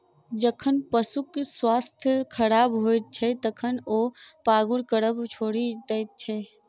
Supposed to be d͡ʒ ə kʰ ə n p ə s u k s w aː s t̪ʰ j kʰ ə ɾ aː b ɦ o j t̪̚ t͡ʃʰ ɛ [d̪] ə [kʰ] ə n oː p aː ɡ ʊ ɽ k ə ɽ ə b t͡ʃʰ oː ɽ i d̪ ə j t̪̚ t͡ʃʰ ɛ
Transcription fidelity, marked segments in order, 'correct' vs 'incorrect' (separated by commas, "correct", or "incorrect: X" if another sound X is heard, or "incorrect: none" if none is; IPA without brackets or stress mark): incorrect: t̪, correct